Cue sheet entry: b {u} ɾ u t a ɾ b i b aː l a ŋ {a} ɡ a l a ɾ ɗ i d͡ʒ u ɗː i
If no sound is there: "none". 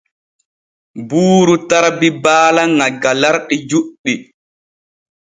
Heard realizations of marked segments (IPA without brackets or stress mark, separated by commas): uː, a